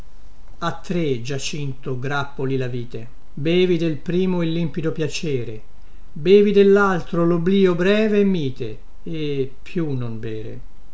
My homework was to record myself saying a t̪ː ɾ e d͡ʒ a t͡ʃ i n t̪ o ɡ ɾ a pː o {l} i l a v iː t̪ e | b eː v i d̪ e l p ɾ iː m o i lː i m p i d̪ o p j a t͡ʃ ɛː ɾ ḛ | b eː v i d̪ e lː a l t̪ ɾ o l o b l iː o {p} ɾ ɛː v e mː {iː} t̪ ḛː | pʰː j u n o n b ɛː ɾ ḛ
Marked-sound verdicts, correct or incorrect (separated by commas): correct, incorrect, correct